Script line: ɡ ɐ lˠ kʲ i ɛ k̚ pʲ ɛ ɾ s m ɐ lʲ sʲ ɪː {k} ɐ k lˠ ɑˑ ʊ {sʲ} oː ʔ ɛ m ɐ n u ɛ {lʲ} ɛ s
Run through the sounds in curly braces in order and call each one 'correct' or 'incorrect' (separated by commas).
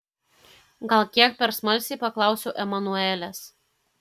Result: incorrect, correct, correct